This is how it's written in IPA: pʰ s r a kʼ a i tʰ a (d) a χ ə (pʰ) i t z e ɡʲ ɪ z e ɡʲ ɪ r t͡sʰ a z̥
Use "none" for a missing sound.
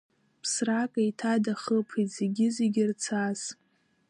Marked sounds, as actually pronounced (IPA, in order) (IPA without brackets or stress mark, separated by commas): d, pʰ